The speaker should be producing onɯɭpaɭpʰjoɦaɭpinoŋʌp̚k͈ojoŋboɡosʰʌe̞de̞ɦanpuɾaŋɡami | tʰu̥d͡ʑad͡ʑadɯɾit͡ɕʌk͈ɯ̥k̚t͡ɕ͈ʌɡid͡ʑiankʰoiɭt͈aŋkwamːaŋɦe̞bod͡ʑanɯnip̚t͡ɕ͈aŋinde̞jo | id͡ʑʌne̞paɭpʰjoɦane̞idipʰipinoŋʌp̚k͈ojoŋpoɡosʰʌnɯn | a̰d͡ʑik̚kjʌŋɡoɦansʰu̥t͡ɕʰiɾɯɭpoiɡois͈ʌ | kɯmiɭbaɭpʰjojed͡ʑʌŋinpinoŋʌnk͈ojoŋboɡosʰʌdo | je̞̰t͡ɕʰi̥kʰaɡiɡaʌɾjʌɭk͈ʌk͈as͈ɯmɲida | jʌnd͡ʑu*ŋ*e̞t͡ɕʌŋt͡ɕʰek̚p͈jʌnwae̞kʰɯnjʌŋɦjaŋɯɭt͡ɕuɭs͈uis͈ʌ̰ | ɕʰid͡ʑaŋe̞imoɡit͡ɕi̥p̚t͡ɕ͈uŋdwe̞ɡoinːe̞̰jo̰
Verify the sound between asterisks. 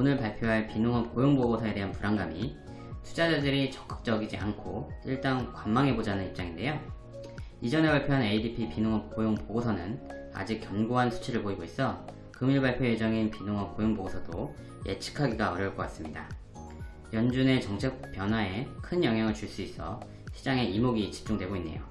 incorrect: n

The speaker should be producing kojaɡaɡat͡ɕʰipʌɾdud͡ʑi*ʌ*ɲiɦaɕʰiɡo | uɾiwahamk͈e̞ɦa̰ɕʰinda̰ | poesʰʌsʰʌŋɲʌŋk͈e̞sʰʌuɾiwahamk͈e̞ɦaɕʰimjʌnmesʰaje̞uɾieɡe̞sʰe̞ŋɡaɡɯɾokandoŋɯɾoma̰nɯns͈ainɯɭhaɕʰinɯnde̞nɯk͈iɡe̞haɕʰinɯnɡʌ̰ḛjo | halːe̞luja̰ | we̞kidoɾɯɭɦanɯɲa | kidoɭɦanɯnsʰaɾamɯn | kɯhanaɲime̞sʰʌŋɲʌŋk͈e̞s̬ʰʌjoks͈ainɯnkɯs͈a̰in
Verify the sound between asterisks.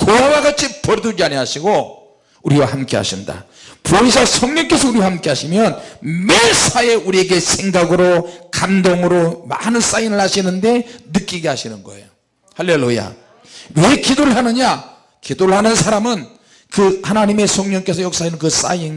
incorrect: a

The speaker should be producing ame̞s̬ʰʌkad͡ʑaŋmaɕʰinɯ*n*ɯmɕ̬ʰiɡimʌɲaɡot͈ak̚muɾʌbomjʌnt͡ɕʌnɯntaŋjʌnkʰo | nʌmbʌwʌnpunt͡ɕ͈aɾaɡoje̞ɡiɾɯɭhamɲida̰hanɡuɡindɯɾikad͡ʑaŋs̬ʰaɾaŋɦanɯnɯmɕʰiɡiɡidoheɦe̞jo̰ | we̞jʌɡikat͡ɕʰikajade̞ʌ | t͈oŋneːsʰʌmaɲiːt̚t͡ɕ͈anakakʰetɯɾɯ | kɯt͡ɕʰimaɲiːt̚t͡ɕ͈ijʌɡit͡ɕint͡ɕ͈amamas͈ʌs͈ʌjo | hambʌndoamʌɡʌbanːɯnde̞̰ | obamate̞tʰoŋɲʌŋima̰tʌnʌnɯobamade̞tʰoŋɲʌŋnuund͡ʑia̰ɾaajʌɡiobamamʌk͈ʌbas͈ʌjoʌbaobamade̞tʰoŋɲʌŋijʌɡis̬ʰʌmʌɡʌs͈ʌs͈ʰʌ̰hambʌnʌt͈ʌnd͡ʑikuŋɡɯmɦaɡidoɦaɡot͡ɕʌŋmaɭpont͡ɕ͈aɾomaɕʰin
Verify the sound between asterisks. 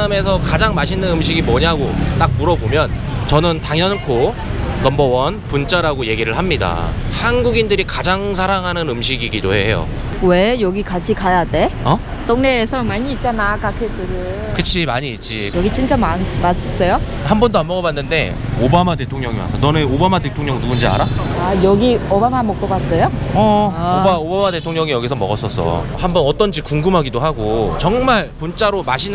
correct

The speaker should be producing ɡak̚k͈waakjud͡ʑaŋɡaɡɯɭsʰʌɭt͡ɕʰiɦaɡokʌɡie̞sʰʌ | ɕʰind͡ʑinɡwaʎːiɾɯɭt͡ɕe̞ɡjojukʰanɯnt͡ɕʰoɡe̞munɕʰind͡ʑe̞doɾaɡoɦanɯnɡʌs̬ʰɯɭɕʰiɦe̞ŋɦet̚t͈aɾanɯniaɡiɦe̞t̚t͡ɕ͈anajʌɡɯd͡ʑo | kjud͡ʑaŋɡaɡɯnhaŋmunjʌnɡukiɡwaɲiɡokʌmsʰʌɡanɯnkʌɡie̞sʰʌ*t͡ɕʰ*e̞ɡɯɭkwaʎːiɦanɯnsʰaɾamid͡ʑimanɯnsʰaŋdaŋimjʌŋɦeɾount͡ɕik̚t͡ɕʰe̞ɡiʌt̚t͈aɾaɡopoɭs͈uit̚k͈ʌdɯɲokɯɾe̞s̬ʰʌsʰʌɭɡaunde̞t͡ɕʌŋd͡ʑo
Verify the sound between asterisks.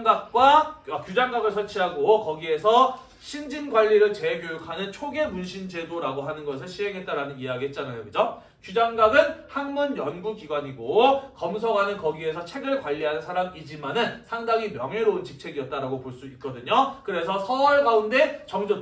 correct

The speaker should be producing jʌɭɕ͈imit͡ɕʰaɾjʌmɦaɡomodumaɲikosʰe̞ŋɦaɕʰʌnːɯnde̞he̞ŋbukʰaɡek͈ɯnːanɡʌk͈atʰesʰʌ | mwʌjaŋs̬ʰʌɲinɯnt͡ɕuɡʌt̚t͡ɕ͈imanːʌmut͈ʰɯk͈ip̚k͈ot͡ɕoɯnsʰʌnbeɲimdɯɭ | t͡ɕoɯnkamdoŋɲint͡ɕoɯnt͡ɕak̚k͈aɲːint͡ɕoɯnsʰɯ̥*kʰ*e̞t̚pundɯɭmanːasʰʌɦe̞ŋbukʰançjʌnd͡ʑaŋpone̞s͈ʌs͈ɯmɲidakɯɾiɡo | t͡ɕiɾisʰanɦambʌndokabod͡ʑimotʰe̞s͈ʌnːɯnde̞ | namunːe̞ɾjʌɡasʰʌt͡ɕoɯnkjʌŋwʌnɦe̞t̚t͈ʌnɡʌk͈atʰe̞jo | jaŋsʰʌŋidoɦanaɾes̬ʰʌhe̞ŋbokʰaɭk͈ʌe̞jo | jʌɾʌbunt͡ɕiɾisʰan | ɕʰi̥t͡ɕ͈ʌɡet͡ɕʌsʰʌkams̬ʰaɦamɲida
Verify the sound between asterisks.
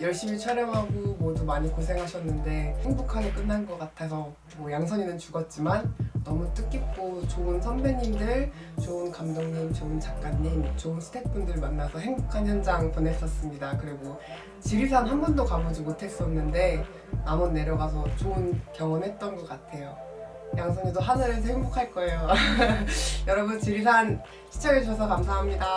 incorrect: tʰ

